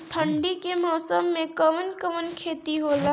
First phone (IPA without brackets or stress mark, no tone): t̪ʰ